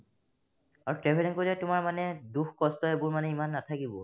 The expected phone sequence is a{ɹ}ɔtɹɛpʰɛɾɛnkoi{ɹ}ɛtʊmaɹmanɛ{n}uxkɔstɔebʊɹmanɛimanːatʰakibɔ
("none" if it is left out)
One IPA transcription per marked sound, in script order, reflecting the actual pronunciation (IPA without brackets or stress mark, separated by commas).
ɹ, l, d